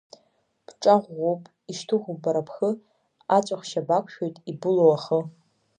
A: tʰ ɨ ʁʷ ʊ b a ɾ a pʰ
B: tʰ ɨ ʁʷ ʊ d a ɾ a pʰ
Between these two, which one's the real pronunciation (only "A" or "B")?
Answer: A